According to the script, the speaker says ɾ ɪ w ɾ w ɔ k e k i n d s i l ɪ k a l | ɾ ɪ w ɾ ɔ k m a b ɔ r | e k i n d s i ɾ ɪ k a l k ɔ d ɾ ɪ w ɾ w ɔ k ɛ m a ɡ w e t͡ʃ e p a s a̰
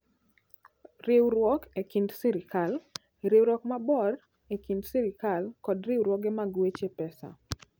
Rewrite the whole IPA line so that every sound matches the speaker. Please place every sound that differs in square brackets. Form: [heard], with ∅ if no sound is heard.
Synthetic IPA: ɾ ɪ w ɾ w ɔ k e k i n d s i [ɾ] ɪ k a l | ɾ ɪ w ɾ ɔ k m a b ɔ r | e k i n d s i ɾ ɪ k a l k ɔ d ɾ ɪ w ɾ w ɔ [ɡ] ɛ m a ɡ w e t͡ʃ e p [ɛ] s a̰